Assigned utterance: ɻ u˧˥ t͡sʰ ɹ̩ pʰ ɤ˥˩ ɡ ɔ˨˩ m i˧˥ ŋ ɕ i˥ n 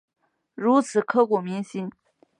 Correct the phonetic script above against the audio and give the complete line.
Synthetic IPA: ɻ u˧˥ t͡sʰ ɹ̩ kʰ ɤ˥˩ k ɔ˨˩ m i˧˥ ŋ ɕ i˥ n